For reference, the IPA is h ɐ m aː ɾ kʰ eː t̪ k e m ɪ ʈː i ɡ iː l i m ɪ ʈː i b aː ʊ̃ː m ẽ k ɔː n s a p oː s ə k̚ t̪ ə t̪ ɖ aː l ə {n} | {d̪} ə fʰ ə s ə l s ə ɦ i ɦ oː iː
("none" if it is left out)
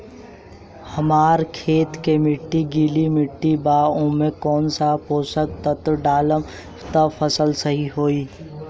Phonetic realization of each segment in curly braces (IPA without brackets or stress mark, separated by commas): m, t̪